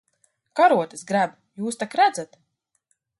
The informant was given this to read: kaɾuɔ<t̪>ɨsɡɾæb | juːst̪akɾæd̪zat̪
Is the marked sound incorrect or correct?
correct